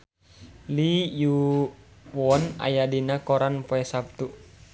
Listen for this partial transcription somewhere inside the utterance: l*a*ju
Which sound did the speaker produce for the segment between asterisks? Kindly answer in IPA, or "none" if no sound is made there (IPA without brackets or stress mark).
i